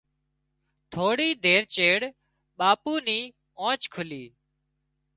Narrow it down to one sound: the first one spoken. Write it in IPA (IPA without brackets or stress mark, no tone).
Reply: t̪ʰ